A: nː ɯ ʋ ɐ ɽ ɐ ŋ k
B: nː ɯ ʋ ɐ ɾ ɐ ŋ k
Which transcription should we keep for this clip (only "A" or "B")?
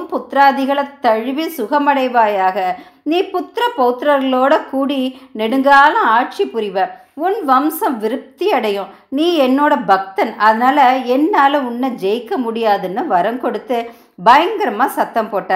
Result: B